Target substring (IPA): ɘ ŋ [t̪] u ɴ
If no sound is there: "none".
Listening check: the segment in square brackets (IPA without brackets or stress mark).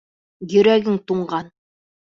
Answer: t̪